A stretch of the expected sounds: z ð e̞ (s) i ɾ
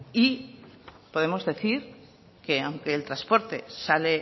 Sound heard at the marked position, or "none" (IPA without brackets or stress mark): θ